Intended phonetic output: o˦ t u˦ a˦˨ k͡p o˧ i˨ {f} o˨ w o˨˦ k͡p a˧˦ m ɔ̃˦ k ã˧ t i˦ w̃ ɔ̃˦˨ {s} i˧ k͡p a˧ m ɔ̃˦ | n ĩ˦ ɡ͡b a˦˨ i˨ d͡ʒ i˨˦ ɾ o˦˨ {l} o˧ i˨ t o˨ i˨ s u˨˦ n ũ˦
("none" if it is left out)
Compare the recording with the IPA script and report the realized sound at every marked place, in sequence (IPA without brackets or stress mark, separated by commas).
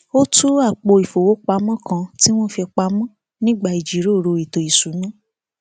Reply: f, f, ɾ